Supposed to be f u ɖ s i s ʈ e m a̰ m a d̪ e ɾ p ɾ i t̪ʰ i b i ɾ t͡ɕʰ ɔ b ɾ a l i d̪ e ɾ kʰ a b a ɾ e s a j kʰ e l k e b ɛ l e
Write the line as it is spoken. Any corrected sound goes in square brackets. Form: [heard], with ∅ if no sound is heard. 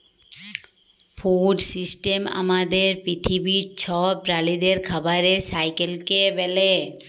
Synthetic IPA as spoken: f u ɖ s i s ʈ e m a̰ m a d̪ e ɾ p ɾ i t̪ʰ i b i ɾ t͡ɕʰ ɔ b ɾ a l i d̪ e ɾ kʰ a b a ɾ e s a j [k] e l k e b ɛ l e

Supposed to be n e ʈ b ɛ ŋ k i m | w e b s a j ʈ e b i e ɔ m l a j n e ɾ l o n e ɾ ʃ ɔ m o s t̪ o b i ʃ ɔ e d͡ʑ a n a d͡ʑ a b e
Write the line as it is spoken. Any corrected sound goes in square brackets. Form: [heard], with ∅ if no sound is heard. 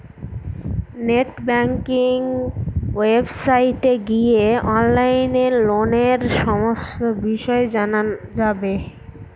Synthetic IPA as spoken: n e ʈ b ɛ ŋ k i [ŋ] | w e b s a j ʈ e [ɡ] i e ɔ [n] l a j n e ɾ l o n e ɾ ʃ ɔ m o s t̪ o b i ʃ ɔ e d͡ʑ a n a d͡ʑ a b e

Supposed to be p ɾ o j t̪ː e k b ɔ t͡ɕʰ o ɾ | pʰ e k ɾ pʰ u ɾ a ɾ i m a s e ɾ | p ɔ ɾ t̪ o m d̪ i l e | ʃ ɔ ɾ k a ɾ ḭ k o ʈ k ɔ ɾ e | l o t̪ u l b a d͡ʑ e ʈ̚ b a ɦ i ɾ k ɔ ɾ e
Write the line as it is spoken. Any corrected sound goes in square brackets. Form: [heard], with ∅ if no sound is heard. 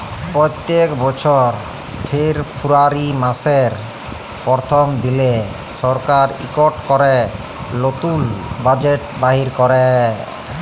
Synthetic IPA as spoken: p ɾ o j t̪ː e k b ɔ t͡ɕʰ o ɾ | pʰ e [∅] ɾ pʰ u ɾ a ɾ i m a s e ɾ | p ɔ ɾ [t̪ʰ] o m d̪ i l e | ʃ ɔ ɾ k a ɾ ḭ k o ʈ k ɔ ɾ e | l o t̪ u l b a d͡ʑ e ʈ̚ b a ɦ i ɾ k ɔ ɾ e

